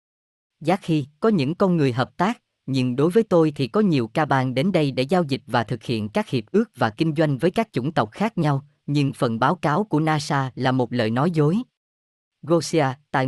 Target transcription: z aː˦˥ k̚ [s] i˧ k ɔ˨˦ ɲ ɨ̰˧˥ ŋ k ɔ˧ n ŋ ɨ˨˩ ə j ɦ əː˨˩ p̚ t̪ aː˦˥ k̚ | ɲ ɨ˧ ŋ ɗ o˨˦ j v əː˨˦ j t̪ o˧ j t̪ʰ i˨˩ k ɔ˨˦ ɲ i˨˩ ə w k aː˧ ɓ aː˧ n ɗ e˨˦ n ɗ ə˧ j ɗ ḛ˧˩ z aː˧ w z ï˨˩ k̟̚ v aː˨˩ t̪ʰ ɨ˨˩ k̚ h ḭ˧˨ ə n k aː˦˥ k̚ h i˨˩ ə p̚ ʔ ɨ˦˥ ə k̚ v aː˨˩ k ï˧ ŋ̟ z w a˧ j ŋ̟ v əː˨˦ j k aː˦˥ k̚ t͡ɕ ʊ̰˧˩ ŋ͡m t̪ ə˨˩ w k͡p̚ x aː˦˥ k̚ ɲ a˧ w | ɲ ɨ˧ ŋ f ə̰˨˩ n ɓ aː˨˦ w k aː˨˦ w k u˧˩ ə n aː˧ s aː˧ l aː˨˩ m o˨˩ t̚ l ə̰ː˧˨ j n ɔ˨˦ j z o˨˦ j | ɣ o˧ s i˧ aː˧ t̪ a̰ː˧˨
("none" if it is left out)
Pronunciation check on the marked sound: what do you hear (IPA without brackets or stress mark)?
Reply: x